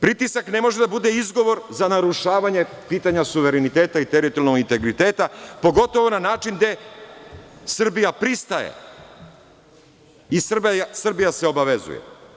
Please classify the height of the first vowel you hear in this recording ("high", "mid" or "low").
high